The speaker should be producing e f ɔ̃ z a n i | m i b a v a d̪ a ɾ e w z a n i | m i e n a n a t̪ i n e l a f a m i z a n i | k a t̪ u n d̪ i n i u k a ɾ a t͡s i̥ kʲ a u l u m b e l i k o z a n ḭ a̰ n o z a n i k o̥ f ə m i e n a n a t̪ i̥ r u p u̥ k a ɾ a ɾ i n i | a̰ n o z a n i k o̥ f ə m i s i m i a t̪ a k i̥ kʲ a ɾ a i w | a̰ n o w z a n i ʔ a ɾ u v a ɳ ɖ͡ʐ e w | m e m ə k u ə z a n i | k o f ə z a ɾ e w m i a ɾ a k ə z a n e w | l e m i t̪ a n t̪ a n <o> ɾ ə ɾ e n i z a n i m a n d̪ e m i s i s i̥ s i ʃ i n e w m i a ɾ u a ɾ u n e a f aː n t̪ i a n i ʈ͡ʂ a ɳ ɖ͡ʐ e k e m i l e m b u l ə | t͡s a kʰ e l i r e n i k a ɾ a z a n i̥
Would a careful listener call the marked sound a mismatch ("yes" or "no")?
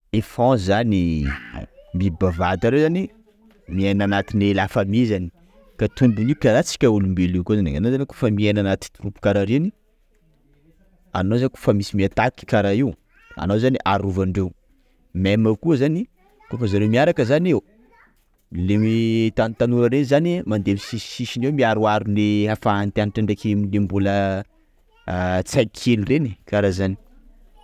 yes